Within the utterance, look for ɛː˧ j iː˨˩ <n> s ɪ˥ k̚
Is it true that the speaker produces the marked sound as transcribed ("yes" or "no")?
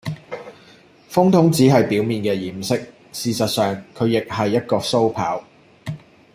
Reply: no